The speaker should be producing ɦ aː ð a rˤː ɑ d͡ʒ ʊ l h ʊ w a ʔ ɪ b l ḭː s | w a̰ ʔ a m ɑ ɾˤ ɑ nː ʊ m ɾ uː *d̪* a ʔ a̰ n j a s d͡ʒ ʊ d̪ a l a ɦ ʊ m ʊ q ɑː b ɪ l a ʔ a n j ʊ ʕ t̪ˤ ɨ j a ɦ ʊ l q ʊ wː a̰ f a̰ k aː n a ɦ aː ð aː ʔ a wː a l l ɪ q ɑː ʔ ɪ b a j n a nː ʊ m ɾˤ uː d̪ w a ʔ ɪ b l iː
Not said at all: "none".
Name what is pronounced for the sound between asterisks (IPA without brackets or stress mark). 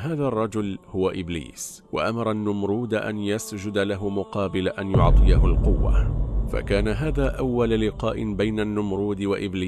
d̪